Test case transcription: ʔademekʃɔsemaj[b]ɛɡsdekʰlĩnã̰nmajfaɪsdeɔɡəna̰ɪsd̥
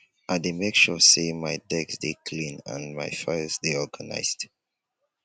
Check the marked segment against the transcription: incorrect: d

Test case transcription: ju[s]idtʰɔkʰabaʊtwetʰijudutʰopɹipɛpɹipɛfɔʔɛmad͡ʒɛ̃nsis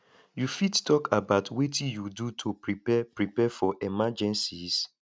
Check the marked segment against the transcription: incorrect: f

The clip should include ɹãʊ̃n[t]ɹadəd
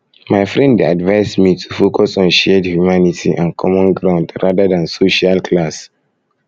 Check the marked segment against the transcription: incorrect: d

